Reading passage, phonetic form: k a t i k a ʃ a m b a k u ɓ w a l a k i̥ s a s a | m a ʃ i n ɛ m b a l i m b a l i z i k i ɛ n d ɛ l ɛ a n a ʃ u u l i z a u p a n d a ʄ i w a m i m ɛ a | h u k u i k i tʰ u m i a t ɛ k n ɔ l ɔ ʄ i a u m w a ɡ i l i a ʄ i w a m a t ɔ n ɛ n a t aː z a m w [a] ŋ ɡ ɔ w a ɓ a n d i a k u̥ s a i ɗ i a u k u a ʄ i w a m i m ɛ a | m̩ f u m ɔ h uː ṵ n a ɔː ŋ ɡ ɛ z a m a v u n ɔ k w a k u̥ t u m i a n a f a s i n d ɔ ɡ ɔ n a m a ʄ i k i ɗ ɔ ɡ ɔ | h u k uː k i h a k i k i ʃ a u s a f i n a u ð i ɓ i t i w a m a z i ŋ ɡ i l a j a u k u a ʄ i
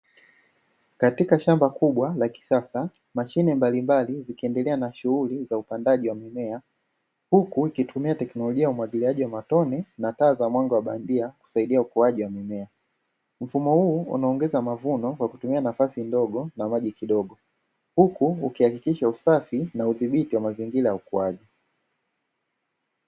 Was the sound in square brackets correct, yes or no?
yes